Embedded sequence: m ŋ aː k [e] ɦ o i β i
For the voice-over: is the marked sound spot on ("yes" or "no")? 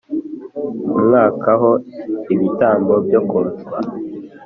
no